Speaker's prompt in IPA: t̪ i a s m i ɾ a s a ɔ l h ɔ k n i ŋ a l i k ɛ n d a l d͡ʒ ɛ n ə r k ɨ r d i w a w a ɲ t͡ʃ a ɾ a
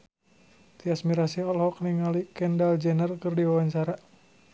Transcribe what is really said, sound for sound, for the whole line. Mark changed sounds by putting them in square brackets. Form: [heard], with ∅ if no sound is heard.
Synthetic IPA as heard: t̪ i a s m i ɾ a s [i] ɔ l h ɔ k n i ŋ a l i k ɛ n d a l d͡ʒ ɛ n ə r k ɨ r d i w a w a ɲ t͡ʃ a ɾ a

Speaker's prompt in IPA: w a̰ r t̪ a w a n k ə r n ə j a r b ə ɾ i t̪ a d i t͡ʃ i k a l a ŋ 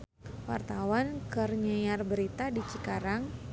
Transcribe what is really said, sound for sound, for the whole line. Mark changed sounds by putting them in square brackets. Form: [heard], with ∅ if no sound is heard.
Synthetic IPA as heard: w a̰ r t̪ a w a n k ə r [ɲ] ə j a r b ə ɾ i t̪ a d i t͡ʃ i k a [ɾ] a ŋ

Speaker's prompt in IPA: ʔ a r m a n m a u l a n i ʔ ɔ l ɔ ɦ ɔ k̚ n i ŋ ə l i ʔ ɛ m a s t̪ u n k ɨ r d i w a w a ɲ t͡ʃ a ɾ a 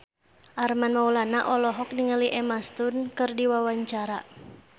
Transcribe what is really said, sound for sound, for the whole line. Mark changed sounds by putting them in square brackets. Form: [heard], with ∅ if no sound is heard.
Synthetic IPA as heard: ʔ a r m a n m a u l a n [a] ʔ ɔ l ɔ ɦ ɔ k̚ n i ŋ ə l i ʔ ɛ m a s t̪ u n k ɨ r d i w a w a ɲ t͡ʃ a ɾ a

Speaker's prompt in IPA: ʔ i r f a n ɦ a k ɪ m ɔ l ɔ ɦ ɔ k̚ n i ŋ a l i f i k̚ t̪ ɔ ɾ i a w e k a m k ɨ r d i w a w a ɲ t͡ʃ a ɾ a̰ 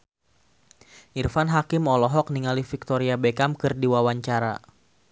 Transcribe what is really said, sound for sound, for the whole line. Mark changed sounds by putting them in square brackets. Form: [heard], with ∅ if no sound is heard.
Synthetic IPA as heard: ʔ i r f a n ɦ a k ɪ m ɔ l ɔ ɦ ɔ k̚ n i ŋ a l i f i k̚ t̪ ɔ ɾ i a [b] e k a m k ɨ r d i w a w a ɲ t͡ʃ a ɾ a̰

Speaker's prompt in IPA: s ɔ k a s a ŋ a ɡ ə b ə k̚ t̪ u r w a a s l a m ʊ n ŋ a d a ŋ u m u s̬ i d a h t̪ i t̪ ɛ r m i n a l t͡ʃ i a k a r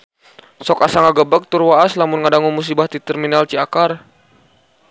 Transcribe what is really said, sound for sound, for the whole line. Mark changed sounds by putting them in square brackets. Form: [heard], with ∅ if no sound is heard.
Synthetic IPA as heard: s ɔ k a s a ŋ a ɡ ə b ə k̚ t̪ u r w a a s l a m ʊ n ŋ a d a ŋ u m u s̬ i [b] a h t̪ i t̪ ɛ r m i n a l t͡ʃ i a k a r

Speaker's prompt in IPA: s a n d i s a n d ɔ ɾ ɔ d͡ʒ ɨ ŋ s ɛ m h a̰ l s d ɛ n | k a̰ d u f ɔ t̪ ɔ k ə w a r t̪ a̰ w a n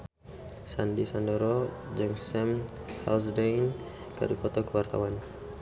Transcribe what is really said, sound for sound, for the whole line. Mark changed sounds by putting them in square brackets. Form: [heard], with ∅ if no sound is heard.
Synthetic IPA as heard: s a n d i s a n d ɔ ɾ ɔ d͡ʒ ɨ ŋ s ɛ m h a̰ l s d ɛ n | k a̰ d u f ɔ t̪ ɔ k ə w a r t̪ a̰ w a n

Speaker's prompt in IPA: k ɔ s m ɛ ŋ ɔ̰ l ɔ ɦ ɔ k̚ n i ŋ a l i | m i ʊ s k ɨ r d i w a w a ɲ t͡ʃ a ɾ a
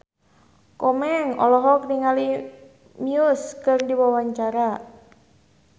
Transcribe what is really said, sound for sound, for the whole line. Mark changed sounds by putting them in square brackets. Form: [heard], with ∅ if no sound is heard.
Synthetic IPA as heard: k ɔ [∅] m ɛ ŋ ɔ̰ l ɔ ɦ ɔ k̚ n i ŋ a l i | m i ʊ s k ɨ r d i w a w a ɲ t͡ʃ a ɾ a

